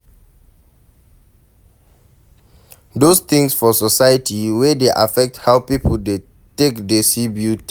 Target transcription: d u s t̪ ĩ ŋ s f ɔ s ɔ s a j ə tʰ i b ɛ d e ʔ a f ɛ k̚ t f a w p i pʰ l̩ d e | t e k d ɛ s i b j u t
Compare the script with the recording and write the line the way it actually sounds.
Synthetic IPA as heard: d o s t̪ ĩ ŋ s f ɔ s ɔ s a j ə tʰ i w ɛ d e ʔ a f ɛ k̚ t h a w p i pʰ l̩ d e | t e k d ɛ s i b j u t